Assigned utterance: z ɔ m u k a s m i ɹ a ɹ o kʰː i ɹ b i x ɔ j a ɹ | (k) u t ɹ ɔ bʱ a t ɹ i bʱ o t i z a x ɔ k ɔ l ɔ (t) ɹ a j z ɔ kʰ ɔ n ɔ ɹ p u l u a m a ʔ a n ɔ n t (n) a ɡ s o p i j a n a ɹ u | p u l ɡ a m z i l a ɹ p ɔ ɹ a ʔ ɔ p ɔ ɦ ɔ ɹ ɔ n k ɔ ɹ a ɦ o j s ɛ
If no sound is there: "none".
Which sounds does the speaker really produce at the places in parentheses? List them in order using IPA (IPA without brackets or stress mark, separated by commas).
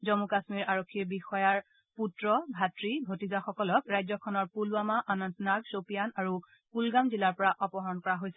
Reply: p, k, n